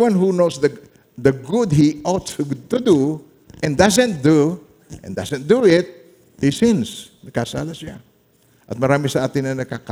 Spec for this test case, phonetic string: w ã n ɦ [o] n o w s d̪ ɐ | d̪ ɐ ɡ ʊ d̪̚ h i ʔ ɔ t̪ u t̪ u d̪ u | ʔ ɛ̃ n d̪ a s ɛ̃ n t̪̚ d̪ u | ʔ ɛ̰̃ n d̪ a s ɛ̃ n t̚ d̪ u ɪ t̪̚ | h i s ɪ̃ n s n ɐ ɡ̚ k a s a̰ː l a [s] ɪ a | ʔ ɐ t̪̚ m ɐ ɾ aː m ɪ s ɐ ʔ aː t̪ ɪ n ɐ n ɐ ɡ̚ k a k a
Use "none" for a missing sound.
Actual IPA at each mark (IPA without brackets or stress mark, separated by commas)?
u, s